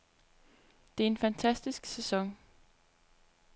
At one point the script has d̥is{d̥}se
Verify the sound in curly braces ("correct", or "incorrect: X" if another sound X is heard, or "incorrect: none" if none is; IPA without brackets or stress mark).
incorrect: ɡ̥